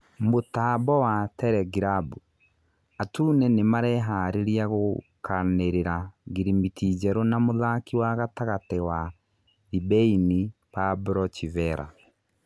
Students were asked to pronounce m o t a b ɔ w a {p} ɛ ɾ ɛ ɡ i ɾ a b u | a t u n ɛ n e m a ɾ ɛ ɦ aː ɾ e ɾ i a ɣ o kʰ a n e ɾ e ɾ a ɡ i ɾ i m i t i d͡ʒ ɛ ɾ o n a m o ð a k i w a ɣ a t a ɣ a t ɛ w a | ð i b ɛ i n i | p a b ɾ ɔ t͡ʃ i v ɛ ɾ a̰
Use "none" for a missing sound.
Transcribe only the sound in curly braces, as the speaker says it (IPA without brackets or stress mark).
t